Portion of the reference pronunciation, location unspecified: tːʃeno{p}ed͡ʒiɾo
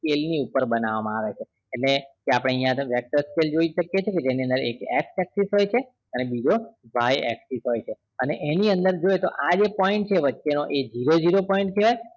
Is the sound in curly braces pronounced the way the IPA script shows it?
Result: no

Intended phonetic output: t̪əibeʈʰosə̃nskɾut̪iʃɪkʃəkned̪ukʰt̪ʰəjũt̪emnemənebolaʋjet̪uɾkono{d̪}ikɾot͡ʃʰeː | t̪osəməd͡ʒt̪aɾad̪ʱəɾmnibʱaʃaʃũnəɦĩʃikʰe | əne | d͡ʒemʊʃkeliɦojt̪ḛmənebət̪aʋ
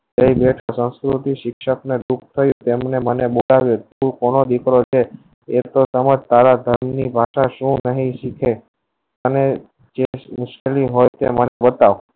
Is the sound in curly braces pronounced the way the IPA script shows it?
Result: yes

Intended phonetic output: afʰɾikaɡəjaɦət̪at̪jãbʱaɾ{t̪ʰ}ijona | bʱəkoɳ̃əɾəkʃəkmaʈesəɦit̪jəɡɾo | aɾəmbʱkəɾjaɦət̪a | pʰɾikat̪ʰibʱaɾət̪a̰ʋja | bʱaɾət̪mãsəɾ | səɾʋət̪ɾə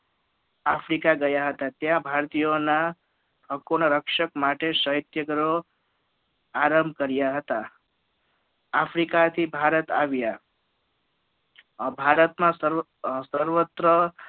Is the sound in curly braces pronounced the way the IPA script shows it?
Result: no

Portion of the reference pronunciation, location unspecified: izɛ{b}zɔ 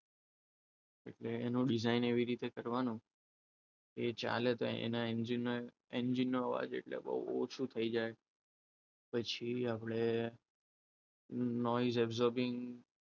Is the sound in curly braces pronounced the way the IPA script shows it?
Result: yes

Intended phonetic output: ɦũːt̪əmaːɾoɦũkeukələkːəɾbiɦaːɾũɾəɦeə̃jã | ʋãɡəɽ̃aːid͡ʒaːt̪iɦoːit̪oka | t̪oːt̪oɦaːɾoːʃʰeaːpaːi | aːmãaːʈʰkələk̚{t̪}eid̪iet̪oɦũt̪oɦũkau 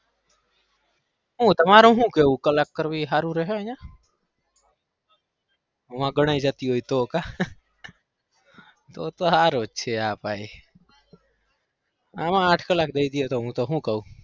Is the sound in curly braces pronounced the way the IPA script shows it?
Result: no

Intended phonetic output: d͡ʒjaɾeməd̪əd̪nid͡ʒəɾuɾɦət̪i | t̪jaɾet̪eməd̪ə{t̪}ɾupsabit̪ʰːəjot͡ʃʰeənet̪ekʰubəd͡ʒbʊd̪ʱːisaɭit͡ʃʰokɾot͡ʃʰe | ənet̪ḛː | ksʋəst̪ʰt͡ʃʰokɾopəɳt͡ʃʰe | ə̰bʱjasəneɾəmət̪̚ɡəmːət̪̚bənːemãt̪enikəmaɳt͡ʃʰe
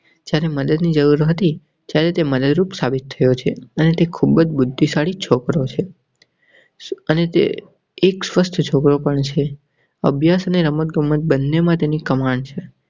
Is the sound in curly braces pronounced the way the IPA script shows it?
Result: no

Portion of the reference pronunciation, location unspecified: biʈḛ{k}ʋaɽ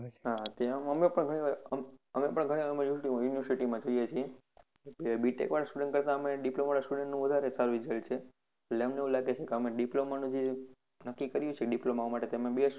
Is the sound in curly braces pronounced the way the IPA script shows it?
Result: yes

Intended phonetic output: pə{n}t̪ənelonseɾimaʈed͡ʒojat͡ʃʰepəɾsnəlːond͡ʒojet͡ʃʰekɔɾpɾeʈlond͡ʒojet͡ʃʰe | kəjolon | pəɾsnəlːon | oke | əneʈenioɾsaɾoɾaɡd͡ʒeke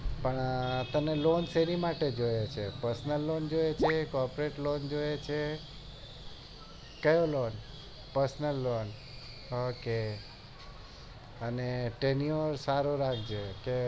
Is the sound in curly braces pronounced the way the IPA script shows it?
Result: no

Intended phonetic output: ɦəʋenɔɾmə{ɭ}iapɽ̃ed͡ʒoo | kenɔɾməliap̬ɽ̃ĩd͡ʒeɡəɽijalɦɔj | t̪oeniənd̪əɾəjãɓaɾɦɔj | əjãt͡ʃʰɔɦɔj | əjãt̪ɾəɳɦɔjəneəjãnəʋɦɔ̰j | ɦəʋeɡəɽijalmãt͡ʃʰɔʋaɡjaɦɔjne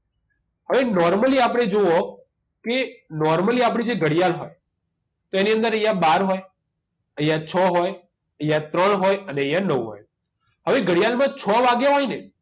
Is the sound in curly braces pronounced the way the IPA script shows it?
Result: no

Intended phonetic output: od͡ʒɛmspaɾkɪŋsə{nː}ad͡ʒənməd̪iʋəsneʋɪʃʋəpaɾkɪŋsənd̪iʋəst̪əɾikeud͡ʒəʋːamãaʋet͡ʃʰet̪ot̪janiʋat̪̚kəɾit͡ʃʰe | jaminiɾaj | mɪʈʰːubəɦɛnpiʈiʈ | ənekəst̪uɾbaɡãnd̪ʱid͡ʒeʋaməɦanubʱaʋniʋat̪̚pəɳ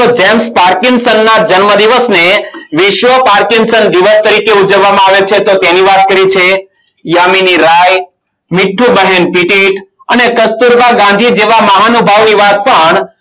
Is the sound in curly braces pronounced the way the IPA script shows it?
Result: yes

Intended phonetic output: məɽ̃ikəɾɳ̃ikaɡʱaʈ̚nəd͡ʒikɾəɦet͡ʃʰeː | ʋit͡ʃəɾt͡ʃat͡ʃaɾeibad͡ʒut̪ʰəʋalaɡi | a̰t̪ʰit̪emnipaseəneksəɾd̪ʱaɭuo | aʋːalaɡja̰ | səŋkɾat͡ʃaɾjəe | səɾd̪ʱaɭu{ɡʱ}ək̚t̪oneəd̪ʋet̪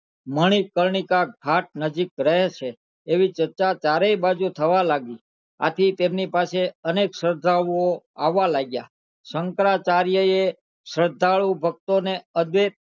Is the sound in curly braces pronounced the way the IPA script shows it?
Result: no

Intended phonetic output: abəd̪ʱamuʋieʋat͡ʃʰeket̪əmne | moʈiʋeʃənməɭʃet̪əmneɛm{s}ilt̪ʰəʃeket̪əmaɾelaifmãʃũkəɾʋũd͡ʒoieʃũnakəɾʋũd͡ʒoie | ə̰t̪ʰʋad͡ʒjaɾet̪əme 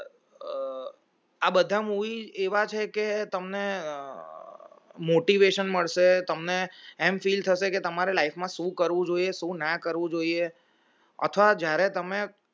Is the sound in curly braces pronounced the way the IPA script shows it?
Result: no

